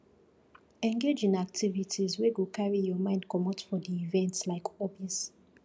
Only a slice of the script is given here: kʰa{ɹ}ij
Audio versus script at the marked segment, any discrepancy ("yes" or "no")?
no